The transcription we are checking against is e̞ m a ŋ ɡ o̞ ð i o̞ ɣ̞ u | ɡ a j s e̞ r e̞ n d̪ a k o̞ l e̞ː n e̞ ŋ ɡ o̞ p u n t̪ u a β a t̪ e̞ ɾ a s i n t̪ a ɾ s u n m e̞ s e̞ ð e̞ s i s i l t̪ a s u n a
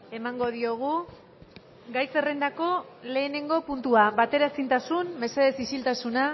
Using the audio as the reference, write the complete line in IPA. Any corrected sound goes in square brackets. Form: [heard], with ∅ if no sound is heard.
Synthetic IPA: e̞ m a ŋ ɡ o̞ ð i o̞ ɣ̞ u | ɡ a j s e̞ r e̞ n d̪ a k o̞ l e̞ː n e̞ ŋ ɡ o̞ p u n t̪ u a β a t̪ e̞ ɾ a s i n t̪ a [∅] s u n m e̞ s e̞ ð e̞ s i s i l t̪ a s u n a

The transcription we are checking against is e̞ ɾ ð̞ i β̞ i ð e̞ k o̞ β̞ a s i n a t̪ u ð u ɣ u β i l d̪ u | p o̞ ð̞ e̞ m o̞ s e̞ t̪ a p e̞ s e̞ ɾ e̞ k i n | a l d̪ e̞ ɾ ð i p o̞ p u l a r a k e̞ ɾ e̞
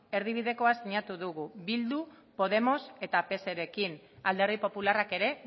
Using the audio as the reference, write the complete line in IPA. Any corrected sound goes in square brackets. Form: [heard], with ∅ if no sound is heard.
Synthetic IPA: e̞ ɾ ð̞ i β̞ i ð e̞ k o̞ [∅] a s i [ɲ] a t̪ u ð u ɣ u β i l d̪ u | p o̞ ð̞ e̞ m o̞ s e̞ t̪ a p e̞ s e̞ ɾ e̞ k i n | a l d̪ e̞ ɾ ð i p o̞ p u l a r a k e̞ ɾ e̞

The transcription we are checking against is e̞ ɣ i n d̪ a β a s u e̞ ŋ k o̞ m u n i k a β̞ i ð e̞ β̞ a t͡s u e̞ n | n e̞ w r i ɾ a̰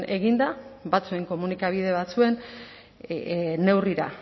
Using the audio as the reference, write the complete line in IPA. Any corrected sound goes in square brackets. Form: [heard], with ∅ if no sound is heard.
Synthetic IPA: e̞ ɣ i n d̪ a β a [t͡s] u e̞ ŋ k o̞ m u n i k a β̞ i ð e̞ β̞ a t͡s u e̞ n | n e̞ w r i ɾ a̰

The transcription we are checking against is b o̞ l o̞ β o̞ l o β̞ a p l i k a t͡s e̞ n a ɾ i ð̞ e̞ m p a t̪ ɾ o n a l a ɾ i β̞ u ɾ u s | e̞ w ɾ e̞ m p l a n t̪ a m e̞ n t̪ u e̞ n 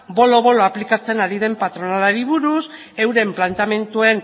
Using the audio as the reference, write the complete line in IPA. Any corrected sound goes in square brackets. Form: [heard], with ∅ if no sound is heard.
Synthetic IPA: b o̞ l o̞ β o̞ l o [∅] a p l i k a t͡s e̞ n a ɾ i ð̞ e̞ m p a t̪ ɾ o n a l a ɾ i β̞ u ɾ u s | e̞ w ɾ e̞ m p l a n t̪ a m e̞ n t̪ u e̞ n

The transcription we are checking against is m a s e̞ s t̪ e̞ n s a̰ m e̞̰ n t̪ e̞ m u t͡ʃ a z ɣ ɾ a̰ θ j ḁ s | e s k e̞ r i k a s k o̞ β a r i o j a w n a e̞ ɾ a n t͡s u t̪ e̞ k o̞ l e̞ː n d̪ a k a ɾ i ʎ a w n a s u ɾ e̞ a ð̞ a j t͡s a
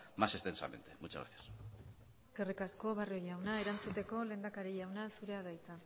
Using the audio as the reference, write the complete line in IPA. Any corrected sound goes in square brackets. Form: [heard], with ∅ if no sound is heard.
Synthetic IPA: m a s e̞ s t̪ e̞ n s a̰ m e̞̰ n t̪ e̞ m u t͡ʃ a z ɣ ɾ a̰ θ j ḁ s | e s k e̞ r i k a s k o̞ β a r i o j a w n a e̞ ɾ a n t͡s u t̪ e̞ k o̞ l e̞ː n d̪ a k a ɾ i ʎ a w n a s u ɾ e̞ a ð̞ a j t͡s a

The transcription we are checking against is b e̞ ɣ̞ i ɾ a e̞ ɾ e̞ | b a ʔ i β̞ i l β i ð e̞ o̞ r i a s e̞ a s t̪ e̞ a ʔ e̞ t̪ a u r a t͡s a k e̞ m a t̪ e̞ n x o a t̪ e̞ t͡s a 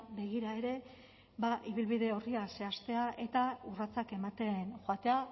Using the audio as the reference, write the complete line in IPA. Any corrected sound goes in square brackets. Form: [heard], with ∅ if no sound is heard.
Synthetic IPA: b e̞ ɣ̞ i ɾ a e̞ ɾ e̞ | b a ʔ i β̞ i l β i ð e̞ o̞ r i a s e̞ a s t̪ e̞ a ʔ e̞ t̪ a u r a t͡s a k e̞ m a t̪ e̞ n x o a t̪ e̞ [∅] a

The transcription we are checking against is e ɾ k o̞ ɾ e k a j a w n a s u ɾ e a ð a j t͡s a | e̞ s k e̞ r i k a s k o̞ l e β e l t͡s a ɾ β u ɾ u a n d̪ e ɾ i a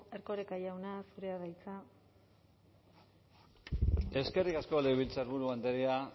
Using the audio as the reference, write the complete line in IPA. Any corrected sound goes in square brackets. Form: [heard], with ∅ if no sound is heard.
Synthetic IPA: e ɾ k o̞ ɾ e k a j a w n a s u ɾ e a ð a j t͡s a | e̞ s k e̞ r i k a s k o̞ l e β [i] l t͡s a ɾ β u ɾ u a n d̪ e ɾ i a

